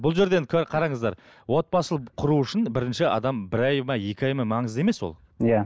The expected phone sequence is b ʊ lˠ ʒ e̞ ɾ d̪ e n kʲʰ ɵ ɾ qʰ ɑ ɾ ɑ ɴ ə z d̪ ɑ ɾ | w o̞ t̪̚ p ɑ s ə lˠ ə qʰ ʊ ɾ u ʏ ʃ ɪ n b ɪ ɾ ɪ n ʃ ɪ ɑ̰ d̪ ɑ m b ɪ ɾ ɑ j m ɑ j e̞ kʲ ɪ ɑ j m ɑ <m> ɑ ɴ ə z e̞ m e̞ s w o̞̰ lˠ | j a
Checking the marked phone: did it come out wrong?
no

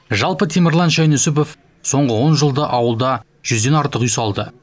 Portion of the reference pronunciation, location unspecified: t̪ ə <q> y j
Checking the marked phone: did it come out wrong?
no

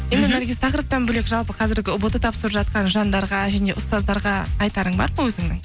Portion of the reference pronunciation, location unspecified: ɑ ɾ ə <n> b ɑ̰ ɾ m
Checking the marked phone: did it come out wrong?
yes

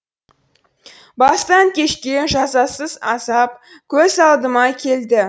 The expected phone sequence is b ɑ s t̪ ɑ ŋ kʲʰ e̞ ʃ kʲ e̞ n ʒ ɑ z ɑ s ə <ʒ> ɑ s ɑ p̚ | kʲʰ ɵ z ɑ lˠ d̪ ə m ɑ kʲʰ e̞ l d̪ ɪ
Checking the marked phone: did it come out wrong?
yes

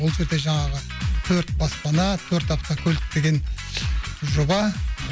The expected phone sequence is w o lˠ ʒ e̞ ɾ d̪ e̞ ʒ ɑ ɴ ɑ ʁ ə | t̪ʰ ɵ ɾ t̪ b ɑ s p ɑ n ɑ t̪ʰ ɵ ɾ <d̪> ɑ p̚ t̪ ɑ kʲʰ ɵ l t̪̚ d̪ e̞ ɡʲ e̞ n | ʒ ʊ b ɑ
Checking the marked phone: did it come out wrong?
yes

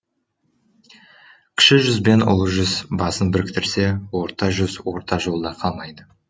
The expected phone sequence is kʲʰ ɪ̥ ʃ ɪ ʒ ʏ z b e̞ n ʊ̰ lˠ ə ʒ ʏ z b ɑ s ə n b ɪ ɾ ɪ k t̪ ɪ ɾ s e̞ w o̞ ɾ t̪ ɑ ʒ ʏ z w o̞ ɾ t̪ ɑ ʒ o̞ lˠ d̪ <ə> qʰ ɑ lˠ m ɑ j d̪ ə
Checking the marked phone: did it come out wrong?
yes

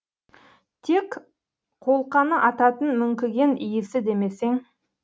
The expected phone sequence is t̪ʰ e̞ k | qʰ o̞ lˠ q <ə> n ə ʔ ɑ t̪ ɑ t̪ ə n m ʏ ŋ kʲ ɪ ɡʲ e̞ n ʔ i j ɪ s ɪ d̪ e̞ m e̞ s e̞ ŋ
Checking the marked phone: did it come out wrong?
yes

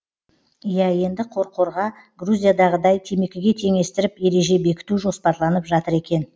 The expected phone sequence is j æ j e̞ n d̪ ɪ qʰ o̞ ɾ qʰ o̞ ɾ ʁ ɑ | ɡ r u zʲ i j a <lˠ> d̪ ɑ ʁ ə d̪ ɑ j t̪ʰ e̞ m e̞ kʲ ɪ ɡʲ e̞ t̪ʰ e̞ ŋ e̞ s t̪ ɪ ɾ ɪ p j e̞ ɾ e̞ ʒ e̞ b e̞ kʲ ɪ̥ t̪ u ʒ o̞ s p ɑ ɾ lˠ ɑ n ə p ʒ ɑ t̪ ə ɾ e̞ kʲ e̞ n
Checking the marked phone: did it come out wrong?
yes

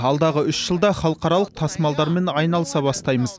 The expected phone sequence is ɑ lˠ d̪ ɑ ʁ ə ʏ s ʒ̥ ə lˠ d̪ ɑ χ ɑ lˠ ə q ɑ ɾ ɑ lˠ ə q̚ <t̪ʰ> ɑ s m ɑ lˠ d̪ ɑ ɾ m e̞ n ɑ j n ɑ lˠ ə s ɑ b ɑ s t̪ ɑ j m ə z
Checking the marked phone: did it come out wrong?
no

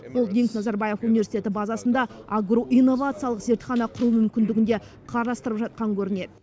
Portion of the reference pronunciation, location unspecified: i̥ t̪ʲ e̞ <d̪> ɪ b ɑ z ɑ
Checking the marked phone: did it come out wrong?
yes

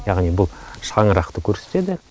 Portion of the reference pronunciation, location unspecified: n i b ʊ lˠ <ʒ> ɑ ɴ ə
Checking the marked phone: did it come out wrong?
yes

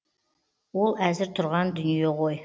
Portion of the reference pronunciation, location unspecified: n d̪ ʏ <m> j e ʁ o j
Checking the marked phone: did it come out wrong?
yes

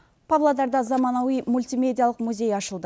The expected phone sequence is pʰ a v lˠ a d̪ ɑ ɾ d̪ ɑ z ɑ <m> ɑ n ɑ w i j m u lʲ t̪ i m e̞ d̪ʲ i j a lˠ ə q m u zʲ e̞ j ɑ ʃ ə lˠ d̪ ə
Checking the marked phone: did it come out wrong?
no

